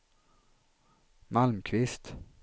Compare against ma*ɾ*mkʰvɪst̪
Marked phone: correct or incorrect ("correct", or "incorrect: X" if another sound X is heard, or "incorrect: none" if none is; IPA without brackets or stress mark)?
incorrect: l